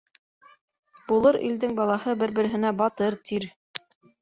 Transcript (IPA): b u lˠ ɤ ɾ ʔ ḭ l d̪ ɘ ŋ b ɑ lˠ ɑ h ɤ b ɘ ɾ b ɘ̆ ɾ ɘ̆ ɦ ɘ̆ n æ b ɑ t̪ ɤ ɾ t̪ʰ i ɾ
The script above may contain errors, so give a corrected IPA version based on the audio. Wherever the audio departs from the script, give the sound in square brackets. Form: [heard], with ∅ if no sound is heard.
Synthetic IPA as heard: b u lˠ ɤ ɾ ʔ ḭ l d̪ ɘ ŋ b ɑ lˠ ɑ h ɤ b ɘ ɾ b ɘ̆ ɾ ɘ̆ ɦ ɘ̆ n æ b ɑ t̪ ɤ ɾ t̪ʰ i ɾ